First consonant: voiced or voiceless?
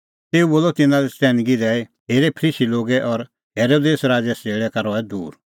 voiceless